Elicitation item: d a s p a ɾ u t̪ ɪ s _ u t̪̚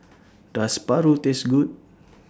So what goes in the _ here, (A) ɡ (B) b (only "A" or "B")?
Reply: A